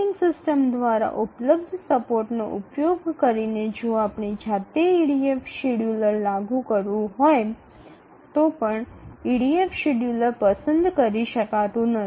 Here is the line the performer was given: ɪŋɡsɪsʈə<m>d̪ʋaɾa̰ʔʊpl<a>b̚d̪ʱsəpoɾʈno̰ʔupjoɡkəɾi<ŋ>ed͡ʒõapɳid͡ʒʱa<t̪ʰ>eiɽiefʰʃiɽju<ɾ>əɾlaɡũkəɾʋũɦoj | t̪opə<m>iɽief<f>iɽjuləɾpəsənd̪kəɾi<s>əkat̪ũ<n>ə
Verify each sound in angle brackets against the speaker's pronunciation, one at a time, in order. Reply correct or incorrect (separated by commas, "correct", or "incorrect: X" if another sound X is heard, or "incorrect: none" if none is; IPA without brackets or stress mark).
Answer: correct, incorrect: ə, incorrect: n, incorrect: t̪, incorrect: l, incorrect: ɳ, incorrect: ʃ, incorrect: ʃ, correct